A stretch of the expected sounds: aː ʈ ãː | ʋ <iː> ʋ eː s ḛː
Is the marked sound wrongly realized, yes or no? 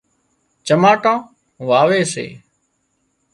yes